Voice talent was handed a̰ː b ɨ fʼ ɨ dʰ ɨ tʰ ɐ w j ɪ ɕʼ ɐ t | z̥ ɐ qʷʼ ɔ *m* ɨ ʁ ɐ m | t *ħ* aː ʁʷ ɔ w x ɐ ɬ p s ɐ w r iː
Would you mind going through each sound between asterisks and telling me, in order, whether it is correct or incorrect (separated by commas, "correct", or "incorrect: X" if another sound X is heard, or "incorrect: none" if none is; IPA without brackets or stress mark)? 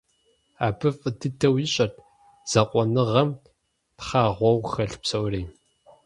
incorrect: n, incorrect: χ